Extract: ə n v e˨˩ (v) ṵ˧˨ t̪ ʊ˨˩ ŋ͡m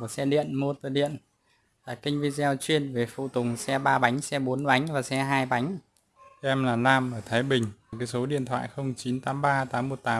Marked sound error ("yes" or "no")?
yes